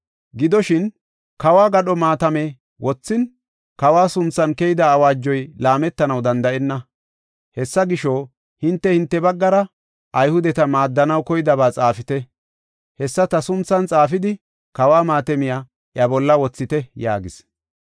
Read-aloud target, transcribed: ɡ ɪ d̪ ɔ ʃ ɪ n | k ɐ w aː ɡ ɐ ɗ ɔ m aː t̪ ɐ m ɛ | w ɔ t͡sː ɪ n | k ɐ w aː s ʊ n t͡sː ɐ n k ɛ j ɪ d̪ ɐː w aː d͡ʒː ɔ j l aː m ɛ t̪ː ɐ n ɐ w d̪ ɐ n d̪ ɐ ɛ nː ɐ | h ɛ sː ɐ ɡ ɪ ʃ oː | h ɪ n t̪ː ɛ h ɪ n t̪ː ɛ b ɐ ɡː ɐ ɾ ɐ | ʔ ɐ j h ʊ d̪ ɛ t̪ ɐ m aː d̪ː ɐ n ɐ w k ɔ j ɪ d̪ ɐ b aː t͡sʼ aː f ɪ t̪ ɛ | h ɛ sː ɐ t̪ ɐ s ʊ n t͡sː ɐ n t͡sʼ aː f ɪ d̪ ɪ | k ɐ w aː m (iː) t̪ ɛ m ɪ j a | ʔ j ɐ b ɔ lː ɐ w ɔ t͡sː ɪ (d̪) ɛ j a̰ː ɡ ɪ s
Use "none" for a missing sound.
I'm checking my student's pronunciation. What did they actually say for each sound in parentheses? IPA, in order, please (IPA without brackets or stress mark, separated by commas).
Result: aː, t̪